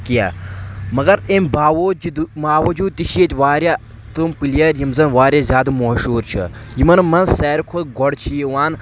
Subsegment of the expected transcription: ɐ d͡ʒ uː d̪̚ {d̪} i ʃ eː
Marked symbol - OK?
no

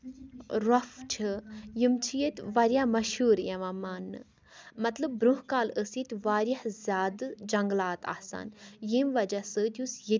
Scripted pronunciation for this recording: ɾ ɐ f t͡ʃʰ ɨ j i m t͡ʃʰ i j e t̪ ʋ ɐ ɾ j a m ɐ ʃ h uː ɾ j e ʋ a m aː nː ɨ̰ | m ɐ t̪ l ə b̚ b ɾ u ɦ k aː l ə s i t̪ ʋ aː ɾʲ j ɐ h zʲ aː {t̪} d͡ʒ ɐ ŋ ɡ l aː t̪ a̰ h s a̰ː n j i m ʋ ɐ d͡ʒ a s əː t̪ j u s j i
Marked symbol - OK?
no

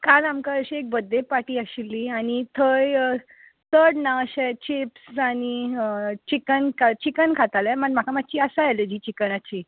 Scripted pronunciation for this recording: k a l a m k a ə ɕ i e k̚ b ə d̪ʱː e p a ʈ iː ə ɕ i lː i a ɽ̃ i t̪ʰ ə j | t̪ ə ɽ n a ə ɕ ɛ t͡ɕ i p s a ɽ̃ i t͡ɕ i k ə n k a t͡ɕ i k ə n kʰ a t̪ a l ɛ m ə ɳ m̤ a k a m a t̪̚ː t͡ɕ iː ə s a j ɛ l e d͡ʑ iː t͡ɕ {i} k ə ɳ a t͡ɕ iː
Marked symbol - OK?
yes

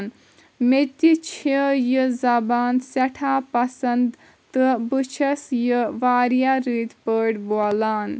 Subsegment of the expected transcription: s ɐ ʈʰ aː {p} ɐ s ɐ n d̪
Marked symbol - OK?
yes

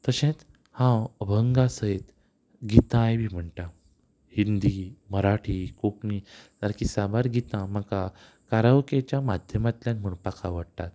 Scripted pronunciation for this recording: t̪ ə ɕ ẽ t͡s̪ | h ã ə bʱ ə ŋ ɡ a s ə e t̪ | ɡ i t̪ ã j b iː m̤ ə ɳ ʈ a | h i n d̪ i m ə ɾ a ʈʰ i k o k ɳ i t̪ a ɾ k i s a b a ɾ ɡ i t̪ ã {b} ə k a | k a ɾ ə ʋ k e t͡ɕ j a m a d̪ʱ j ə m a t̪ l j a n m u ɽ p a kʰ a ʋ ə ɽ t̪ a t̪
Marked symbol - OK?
no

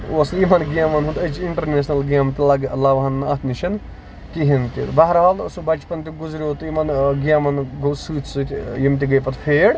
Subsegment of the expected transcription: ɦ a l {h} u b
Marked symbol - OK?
no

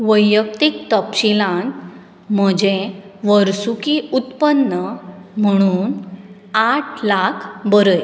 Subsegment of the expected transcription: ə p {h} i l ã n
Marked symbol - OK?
no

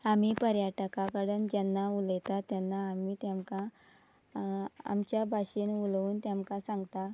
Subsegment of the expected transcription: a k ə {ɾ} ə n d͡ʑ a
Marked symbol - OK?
no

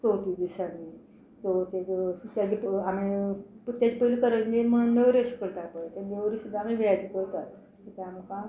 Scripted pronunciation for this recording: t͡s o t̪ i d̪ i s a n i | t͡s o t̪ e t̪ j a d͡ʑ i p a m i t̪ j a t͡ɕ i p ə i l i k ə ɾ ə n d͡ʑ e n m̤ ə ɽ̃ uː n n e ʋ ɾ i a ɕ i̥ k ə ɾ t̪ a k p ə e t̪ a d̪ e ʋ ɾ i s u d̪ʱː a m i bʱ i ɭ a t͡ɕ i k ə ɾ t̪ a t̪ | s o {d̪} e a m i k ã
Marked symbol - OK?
no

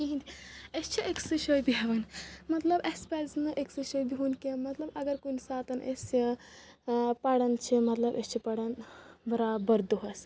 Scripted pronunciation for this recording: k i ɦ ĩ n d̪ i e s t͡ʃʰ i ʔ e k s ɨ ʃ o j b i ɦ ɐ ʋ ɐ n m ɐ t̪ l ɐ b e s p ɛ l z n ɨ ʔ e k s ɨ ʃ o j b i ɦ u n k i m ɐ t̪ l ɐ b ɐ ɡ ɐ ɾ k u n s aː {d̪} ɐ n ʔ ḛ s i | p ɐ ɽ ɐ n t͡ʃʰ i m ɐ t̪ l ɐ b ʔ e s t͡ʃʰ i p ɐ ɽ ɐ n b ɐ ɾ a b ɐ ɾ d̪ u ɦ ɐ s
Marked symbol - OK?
no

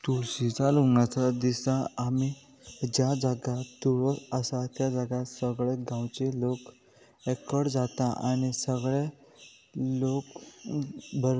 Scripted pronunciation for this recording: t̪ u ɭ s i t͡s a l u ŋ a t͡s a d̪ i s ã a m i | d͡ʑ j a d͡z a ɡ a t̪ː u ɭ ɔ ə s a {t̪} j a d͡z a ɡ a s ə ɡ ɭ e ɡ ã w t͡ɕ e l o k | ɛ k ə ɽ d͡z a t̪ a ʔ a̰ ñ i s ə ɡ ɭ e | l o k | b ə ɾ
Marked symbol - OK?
yes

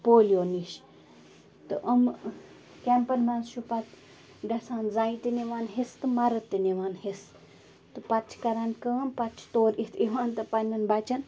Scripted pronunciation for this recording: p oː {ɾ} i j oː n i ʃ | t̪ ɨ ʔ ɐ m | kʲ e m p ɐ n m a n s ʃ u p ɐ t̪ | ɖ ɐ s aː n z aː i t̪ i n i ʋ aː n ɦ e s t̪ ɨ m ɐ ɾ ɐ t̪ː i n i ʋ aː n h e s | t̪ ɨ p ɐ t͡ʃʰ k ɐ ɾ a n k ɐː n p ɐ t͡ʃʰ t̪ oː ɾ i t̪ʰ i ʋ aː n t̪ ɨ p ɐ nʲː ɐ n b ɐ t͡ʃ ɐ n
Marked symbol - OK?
no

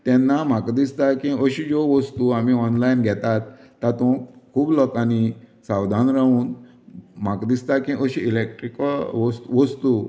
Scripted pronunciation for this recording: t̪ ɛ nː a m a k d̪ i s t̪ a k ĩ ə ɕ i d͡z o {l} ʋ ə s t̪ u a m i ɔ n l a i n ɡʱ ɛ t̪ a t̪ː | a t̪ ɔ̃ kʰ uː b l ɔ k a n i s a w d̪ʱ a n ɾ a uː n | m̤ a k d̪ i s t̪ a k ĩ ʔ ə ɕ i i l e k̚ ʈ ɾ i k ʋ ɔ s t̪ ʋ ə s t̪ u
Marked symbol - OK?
no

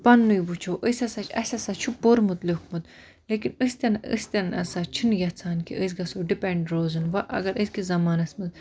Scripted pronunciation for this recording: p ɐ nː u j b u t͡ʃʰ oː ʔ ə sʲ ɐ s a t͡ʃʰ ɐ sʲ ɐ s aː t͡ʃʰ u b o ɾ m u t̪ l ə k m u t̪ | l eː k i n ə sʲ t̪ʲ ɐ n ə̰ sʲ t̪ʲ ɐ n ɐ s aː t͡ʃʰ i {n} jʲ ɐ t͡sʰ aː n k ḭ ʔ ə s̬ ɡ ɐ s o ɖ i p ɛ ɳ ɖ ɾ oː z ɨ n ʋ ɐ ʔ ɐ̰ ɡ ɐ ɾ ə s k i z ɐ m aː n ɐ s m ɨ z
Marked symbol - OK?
yes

